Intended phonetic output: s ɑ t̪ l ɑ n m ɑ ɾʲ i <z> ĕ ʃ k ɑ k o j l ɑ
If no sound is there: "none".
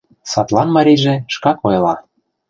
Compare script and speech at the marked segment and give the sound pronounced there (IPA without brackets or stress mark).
ʒ